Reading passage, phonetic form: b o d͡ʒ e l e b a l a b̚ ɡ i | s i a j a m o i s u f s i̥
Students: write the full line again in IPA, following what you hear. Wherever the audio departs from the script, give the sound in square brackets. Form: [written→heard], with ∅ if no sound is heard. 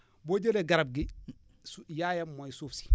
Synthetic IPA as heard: b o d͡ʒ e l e [b→ɡ] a [l→ɾ] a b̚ ɡ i | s [i→j] a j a m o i s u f s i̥